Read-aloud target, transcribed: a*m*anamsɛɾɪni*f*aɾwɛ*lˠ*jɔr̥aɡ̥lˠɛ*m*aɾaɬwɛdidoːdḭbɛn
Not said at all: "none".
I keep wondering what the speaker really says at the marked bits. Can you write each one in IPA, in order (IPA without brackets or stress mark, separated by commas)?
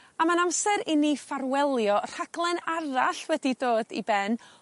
m, f, lˠ, n